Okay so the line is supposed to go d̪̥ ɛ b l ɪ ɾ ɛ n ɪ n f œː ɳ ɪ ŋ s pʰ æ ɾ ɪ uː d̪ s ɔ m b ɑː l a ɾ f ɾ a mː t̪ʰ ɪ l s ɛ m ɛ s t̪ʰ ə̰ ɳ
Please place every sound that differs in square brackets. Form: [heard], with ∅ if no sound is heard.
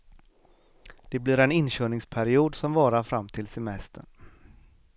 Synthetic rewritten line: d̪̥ ɛ b l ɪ ɾ ɛ n ɪ n [ɕ] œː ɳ ɪ ŋ s pʰ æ ɾ ɪ uː d̪ s ɔ m [v] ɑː [ɾ] a ɾ f ɾ a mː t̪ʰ ɪ l s ɛ m ɛ s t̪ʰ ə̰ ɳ